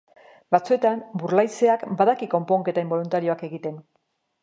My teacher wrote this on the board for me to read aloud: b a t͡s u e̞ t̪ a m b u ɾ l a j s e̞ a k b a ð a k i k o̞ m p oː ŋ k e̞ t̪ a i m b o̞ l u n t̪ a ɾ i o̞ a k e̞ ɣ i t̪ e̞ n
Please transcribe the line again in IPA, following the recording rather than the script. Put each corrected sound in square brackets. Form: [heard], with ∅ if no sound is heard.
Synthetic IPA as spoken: b a t͡s u e̞ t̪ a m b u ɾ l a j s e̞ a k b a ð a k i k o̞ m p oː ŋ k e̞ t̪ a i m b o̞ l u n t̪ a ɾ i o̞ a k e̞ ɣ i t̪ e̞ n